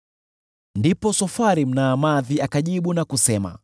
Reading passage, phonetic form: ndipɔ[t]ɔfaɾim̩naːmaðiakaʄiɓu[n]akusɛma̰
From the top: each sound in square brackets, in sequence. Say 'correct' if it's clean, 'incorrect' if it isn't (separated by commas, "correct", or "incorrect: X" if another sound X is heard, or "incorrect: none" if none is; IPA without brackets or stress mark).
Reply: incorrect: s, correct